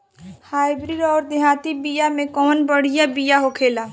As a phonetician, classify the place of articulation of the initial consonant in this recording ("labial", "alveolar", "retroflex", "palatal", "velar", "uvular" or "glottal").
glottal